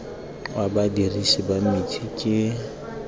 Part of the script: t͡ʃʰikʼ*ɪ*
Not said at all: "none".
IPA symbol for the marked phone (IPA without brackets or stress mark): ɪ